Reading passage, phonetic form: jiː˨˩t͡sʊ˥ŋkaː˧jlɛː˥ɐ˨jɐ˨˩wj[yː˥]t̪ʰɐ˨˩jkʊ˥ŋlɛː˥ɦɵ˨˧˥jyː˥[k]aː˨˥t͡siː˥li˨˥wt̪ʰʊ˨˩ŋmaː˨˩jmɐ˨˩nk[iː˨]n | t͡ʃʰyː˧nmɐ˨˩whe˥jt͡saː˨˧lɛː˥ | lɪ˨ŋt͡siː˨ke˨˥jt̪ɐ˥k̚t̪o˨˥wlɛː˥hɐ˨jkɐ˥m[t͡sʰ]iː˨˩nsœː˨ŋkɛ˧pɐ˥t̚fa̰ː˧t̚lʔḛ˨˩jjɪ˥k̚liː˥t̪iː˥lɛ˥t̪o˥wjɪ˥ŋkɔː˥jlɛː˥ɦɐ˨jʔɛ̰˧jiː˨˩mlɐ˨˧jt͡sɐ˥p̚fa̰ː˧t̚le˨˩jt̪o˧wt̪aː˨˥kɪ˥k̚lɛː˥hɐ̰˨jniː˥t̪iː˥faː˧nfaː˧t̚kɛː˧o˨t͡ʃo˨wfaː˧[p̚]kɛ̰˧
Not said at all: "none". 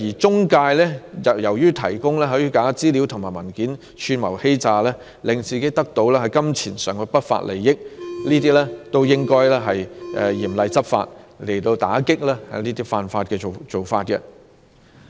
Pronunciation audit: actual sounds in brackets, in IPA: yː˥, k, iː˨˥, t͡sʰ, t̚

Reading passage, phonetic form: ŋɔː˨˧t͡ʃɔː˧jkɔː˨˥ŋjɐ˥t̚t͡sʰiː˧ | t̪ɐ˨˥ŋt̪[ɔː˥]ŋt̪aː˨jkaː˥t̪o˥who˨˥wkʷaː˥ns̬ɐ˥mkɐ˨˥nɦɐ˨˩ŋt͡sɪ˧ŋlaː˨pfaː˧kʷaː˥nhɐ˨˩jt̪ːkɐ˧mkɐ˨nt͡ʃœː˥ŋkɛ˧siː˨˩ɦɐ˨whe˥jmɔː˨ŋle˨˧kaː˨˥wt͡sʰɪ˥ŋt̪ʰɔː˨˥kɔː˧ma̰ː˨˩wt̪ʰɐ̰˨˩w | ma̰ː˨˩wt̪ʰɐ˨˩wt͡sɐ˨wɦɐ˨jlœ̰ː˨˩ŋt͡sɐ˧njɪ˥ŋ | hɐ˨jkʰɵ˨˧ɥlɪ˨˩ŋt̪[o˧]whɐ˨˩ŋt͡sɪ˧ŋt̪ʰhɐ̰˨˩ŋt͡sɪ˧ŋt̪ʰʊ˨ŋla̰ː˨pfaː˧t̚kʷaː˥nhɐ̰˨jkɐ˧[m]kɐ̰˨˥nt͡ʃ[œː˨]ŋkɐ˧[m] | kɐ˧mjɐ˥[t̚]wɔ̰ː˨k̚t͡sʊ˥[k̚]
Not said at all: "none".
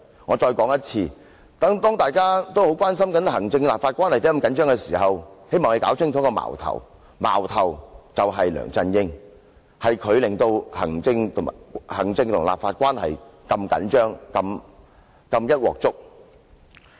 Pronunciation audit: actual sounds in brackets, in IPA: ɔː˥, o˧, m, œː˥, m, t̚, k̚

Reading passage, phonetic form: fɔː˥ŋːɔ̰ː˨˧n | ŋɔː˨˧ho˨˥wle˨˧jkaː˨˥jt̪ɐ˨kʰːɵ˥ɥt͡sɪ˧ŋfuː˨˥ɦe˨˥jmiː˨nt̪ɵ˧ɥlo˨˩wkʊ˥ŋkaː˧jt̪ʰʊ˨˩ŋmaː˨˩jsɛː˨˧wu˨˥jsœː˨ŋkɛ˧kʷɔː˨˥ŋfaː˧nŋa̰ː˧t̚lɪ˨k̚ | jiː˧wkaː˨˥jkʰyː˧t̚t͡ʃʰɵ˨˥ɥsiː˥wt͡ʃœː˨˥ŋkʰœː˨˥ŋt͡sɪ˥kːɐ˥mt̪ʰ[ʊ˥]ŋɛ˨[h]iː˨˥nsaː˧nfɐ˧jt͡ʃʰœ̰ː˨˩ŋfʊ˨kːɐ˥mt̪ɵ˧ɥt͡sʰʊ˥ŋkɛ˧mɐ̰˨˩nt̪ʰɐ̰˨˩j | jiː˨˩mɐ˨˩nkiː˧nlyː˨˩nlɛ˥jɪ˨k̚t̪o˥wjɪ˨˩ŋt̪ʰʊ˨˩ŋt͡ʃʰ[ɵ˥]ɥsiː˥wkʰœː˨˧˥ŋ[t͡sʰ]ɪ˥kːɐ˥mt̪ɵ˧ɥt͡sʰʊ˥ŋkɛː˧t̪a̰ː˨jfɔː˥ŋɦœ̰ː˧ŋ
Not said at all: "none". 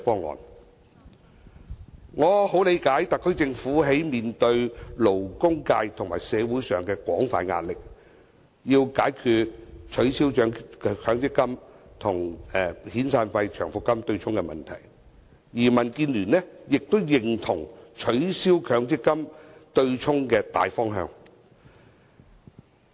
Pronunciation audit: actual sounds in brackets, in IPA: ʊ˨˩, h, ɵ˨˥, t͡s

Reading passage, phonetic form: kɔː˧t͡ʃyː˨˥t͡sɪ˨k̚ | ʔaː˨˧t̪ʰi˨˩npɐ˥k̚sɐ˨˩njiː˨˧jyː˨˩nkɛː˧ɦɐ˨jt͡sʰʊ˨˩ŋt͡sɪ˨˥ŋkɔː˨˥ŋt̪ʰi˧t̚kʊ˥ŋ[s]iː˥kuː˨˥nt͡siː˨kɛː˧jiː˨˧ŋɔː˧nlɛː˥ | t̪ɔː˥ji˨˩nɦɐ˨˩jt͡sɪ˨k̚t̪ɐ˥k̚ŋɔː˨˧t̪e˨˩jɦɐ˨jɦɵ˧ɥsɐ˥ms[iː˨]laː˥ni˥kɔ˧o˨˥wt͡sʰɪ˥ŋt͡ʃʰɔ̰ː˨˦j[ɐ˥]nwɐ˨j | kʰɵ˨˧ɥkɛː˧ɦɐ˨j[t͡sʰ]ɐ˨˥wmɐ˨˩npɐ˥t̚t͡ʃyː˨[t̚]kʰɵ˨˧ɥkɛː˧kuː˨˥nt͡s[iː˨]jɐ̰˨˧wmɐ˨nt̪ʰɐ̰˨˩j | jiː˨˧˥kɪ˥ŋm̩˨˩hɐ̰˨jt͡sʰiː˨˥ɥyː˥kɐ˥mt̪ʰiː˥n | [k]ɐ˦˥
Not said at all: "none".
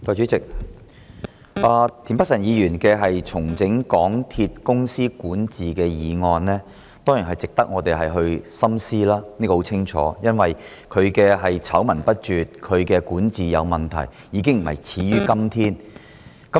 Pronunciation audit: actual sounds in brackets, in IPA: s, iː˥, ɐ˥, t͡sʰ, t̚, iː˨, k

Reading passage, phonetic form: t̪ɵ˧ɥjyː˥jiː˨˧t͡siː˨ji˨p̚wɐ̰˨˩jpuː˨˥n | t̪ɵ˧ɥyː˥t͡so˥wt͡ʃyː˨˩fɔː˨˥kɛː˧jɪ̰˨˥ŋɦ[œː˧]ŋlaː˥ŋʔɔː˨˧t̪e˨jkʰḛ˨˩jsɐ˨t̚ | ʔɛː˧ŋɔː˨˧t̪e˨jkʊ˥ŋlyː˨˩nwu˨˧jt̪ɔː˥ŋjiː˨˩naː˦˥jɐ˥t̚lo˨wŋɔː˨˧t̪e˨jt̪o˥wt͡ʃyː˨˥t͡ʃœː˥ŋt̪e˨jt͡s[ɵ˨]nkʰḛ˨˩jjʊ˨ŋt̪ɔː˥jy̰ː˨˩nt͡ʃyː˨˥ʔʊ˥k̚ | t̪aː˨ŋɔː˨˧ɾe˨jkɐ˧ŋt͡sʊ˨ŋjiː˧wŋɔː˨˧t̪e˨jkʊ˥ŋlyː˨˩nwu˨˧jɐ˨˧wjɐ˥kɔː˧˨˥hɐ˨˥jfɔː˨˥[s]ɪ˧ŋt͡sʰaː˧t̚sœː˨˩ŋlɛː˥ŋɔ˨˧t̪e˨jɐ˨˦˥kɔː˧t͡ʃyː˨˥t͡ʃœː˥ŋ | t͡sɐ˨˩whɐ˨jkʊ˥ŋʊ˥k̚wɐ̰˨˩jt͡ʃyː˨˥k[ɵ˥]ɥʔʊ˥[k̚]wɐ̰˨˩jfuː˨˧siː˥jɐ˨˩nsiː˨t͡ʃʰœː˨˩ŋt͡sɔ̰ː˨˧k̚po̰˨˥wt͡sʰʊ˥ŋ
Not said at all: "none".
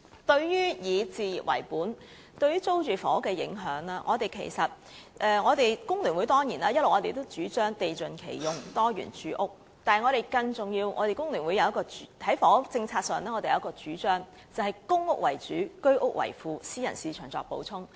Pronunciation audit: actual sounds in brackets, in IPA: œː˨˥, ɵ˨, t͡s, ɵ˥, k̚

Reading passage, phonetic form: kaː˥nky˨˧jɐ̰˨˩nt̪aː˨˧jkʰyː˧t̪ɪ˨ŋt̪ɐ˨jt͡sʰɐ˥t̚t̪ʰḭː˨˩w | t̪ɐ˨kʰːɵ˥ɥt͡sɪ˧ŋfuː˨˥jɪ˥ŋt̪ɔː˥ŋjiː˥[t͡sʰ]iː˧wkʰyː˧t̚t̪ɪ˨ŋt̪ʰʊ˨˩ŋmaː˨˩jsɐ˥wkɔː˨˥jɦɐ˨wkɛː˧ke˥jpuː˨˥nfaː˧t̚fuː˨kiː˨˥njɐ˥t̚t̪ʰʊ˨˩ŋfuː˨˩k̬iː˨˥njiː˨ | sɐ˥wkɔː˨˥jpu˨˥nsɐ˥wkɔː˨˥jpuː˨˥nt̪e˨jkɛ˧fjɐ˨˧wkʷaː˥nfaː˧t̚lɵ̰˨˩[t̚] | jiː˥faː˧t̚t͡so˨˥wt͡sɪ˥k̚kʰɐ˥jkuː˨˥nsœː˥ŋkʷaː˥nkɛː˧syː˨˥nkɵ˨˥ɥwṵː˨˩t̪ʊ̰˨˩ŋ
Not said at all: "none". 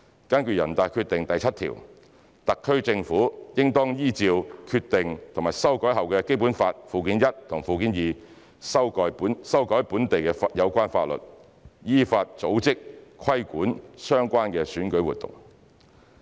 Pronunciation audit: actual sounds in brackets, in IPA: t͡s, t̚

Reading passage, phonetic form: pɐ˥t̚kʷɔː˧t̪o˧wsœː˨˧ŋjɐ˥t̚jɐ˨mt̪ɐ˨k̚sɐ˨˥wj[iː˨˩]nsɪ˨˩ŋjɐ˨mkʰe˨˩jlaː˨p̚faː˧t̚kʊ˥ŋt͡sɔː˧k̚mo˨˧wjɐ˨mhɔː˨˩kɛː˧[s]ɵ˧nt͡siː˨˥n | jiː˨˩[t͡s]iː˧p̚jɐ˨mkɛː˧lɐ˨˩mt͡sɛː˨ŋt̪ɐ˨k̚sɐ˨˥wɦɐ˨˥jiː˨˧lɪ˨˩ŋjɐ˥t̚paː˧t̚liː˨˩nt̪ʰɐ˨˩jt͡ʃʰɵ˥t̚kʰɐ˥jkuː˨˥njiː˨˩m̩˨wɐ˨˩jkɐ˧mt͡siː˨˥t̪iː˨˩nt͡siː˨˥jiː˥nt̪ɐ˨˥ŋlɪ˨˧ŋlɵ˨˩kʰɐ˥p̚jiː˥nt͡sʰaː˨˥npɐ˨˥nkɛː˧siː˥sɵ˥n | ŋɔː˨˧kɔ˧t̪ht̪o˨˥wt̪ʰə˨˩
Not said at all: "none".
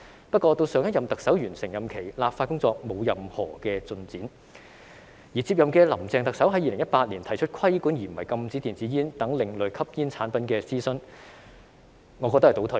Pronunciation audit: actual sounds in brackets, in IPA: yː˨˩, t͡s, t͡s

